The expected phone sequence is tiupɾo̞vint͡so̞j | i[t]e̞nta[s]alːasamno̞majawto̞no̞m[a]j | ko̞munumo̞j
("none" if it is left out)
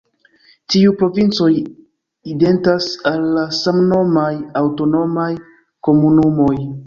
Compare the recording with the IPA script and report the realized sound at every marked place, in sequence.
d, s, a

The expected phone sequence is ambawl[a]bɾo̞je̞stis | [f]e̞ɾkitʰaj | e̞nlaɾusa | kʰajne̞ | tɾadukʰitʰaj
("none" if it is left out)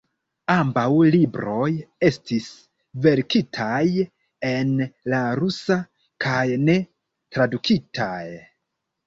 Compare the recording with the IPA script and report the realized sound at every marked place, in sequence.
i, v

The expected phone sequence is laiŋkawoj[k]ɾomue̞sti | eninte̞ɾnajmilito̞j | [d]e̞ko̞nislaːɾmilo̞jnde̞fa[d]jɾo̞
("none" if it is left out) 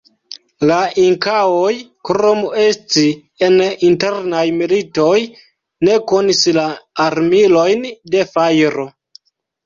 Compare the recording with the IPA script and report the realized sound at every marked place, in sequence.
k, n, none

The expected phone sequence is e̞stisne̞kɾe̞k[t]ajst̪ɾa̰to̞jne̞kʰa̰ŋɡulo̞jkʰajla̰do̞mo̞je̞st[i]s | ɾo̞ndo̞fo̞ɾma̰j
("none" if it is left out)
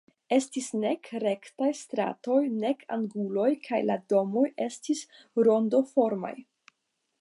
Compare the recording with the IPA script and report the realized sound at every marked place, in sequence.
t, i

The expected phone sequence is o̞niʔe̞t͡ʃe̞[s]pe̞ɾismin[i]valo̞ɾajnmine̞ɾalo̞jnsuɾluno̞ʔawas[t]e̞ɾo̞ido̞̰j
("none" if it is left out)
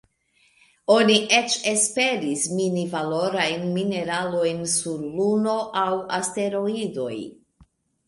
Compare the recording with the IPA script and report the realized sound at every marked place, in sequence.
s, i, t

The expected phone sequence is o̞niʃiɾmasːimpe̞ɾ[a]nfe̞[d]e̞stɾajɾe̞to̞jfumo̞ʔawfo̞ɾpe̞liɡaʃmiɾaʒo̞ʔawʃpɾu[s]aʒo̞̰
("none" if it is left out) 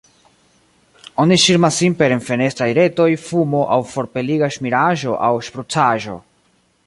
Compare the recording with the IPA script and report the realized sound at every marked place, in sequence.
e, n, t͡s

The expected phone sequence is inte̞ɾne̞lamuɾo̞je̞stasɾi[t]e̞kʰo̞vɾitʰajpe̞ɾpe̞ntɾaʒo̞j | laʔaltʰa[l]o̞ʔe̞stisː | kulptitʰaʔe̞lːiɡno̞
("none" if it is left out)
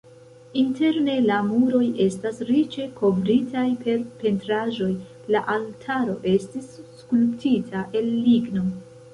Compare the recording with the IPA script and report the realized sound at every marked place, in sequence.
t͡ʃ, ɾ

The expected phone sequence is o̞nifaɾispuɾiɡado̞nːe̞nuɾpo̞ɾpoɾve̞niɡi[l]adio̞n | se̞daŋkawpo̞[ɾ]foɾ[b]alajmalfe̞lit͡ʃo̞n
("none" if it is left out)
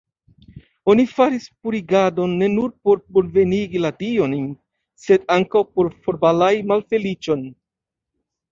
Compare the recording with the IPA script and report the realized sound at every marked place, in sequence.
l, ɾ, b

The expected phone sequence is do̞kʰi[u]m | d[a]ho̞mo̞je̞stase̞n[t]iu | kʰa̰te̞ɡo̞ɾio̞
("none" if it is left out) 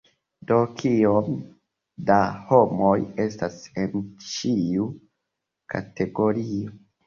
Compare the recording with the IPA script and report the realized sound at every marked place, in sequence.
o, a, t͡ʃ

